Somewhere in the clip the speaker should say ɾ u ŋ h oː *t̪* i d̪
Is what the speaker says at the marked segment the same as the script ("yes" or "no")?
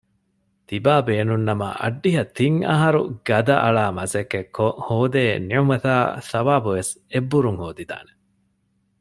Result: no